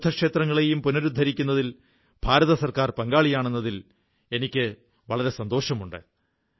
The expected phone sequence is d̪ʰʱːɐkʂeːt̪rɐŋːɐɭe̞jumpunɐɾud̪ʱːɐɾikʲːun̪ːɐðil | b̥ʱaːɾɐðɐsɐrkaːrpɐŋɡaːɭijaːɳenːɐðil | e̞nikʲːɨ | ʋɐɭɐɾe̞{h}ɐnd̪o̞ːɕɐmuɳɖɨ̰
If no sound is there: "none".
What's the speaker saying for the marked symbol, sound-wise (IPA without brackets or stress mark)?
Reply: s